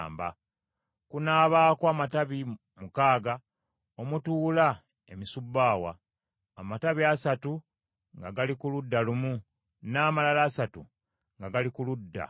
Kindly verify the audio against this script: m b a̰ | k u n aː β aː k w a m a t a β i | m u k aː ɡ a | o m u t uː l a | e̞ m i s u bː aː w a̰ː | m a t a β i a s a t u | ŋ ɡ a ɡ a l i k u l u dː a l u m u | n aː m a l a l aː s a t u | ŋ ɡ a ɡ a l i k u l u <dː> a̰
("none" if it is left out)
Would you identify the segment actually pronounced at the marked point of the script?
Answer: dː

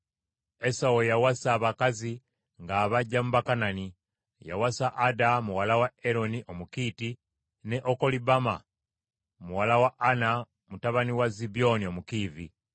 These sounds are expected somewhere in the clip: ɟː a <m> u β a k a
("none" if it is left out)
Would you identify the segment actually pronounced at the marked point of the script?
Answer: m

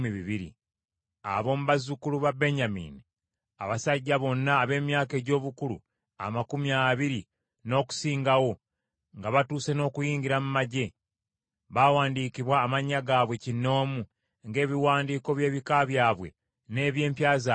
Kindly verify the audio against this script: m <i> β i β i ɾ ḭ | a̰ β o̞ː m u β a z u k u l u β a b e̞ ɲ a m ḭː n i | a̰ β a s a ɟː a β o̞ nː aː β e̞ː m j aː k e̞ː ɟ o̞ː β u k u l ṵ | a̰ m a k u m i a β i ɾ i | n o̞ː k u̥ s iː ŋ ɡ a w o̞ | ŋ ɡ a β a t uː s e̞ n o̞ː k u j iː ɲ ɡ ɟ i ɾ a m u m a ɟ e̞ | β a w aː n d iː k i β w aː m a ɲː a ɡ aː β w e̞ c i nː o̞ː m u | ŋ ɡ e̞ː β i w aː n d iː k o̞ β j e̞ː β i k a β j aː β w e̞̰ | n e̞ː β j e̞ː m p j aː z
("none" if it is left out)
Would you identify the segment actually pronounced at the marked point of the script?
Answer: i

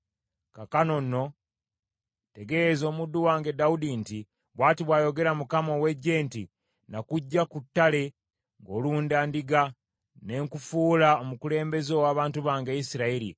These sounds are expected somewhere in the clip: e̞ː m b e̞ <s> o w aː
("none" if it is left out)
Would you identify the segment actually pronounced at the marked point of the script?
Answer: z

